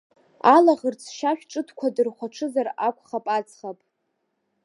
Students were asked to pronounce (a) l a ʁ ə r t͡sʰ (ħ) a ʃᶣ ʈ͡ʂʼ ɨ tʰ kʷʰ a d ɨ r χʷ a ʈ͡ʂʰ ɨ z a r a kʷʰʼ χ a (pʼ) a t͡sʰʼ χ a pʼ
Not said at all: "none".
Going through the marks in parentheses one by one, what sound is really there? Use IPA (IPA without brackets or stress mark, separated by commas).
a, ʃ, pʼ